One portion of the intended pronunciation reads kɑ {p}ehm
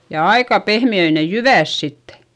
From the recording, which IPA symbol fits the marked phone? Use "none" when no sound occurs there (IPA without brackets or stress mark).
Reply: p